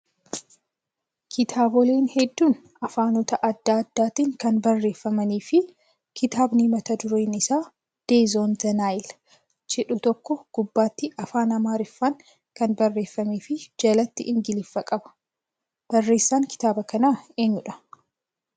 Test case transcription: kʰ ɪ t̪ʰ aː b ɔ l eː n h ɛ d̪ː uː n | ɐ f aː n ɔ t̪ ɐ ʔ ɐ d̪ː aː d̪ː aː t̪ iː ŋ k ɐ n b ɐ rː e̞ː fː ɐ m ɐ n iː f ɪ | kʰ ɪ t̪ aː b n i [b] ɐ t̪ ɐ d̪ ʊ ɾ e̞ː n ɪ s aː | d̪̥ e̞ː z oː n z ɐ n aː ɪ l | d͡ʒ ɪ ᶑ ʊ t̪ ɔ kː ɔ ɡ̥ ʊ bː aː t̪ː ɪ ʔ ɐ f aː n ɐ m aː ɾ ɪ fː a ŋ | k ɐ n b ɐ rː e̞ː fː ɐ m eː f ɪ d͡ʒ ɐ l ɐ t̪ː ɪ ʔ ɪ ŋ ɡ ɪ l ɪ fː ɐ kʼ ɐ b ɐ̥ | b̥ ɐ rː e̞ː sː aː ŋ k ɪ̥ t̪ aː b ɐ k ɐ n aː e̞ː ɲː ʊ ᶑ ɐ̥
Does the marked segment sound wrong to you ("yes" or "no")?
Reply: yes